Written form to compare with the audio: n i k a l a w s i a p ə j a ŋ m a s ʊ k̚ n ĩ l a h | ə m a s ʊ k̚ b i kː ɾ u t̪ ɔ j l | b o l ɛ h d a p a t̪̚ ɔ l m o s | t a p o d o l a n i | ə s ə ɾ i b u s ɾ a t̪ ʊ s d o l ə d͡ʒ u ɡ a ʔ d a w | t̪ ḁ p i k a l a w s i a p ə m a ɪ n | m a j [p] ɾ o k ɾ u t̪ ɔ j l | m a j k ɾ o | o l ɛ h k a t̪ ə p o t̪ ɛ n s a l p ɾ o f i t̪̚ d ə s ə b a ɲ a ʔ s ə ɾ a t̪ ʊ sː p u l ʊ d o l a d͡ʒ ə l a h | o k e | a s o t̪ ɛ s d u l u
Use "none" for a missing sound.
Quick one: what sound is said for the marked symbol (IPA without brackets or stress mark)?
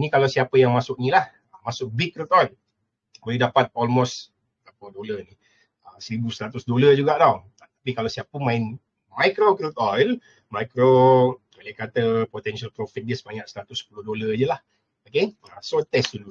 k